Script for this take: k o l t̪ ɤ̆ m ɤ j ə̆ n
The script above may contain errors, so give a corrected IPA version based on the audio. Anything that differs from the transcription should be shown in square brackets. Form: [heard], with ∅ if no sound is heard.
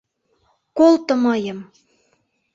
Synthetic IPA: k o l t̪ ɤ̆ m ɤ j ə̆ [m]

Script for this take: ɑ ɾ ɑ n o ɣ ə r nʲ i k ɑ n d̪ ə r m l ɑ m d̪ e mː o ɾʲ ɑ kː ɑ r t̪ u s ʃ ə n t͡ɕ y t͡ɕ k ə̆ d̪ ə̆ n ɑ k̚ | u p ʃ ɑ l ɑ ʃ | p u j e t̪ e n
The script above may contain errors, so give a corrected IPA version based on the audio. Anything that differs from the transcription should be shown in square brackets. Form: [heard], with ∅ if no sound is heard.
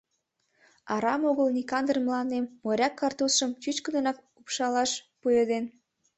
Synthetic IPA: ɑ ɾ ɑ [m] o ɣ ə [l] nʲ i k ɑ n d̪ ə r m l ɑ [n] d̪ e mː o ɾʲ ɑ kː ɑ r t̪ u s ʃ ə [m] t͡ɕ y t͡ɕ k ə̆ d̪ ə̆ n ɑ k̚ | u p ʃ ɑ l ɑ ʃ | p u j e [d̪] e n

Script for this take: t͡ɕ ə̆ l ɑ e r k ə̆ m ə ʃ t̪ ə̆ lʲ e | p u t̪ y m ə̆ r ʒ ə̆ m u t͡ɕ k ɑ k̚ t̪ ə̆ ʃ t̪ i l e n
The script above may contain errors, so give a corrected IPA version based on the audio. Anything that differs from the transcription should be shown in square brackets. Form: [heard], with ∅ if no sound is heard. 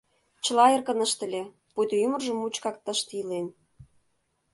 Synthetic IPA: t͡ɕ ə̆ l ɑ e r k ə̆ [n] ə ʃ t̪ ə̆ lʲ e | p u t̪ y m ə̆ r ʒ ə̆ m u t͡ɕ k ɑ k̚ t̪ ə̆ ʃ t̪ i l e n

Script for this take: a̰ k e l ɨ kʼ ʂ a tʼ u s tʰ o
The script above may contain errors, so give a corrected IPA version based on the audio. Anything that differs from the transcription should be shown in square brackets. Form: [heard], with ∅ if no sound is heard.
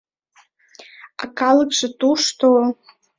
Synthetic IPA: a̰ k [a] l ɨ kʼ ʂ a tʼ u [ʂ] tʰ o

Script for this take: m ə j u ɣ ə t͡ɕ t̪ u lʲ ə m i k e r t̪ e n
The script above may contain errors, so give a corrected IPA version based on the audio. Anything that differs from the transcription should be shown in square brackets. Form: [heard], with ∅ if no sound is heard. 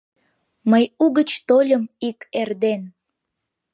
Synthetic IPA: m ə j u ɣ ə t͡ɕ t̪ [o] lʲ ə m i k e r [d̪] e n

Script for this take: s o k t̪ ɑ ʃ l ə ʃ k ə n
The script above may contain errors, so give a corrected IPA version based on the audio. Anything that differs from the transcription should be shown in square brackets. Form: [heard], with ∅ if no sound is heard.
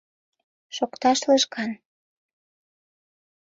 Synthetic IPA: [ʃ] o k t̪ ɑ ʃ l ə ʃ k [ɑ] n

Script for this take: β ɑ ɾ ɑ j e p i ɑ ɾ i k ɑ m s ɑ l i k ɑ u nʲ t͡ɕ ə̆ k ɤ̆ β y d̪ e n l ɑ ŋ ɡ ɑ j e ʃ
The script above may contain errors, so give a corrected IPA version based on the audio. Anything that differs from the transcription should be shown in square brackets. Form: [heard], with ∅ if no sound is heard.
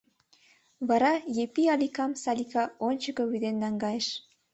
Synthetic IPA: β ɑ ɾ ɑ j e p i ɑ [l] i k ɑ m s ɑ l i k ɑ [o] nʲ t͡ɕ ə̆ k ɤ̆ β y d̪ e n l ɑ ŋ ɡ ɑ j e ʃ

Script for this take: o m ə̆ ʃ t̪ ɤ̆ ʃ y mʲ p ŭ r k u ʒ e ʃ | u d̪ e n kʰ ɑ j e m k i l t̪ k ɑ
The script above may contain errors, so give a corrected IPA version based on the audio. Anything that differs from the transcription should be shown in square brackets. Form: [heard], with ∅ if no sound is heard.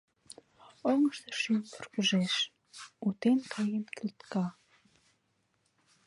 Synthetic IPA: o [ŋ] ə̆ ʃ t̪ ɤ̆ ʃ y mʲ p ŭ r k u ʒ e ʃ | u [t̪] e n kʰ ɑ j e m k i l t̪ k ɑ

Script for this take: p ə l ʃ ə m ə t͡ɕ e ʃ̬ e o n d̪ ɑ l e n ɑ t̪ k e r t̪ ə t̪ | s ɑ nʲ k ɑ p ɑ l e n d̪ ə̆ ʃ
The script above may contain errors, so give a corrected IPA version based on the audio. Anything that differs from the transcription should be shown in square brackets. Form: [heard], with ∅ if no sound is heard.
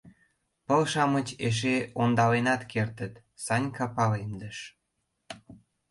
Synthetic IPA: p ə l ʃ [ɑ] m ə t͡ɕ e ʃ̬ e o n d̪ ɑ l e n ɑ t̪ k e r t̪ ə t̪ | s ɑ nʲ k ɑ p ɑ l e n d̪ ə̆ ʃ

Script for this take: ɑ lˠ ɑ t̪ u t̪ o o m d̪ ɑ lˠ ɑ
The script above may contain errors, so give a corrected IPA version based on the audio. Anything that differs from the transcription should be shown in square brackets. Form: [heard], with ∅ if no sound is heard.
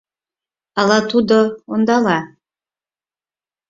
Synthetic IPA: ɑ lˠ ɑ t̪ u [d̪] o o [n] d̪ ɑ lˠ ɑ

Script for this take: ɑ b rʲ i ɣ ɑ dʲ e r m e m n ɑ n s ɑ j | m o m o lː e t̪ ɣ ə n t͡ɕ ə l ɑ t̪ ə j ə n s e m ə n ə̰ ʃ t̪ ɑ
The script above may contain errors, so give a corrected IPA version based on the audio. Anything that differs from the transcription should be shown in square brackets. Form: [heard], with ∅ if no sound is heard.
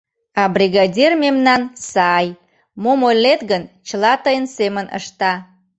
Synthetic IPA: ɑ b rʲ i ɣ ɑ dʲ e r m e m n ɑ n s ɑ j | m o m o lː e t̪ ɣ ə n t͡ɕ ə l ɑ t̪ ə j ə n s e m ə n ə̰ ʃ t̪ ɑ

